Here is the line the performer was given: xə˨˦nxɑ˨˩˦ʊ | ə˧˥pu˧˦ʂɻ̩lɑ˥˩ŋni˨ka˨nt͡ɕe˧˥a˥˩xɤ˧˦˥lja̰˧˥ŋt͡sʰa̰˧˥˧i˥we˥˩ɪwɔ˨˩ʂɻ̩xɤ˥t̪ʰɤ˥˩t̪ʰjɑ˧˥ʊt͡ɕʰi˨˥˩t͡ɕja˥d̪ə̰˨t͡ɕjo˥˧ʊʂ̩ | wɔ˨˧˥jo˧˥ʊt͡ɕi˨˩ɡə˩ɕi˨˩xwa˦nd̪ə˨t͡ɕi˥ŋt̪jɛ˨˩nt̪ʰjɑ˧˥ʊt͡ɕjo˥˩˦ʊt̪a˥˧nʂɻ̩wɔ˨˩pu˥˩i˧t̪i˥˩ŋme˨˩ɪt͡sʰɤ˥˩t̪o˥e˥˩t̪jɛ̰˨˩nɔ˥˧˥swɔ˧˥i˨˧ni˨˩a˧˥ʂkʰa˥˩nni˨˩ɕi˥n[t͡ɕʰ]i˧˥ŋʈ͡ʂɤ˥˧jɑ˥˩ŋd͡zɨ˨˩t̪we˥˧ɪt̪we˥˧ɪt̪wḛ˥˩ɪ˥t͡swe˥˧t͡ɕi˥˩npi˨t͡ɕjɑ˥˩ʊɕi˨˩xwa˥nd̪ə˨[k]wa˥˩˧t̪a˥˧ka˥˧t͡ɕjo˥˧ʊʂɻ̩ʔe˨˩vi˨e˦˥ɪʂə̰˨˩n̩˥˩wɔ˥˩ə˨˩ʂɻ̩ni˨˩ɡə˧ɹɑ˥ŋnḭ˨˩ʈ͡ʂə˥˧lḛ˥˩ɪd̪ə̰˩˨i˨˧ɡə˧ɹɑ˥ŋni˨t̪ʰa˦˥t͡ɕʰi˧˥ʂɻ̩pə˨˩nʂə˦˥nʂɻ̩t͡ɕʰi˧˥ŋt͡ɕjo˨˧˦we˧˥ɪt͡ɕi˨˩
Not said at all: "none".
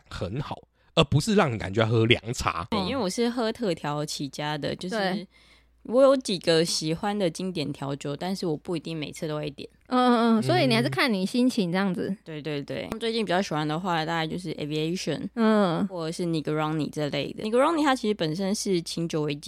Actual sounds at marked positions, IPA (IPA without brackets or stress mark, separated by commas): t͡ɕʰ, x